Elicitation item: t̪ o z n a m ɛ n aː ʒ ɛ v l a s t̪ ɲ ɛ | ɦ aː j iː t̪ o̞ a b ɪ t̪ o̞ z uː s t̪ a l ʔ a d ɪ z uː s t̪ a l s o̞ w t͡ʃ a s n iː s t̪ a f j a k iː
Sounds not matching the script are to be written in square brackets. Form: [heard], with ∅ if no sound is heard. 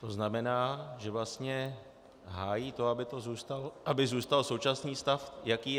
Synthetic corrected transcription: t̪ o z n a m ɛ n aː ʒ ɛ v l a s t̪ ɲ ɛ | ɦ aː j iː t̪ o̞ a b ɪ t̪ o̞ z uː s t̪ a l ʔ a [b] ɪ z uː s t̪ a l s o̞ w t͡ʃ a s n iː s t̪ a f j a k iː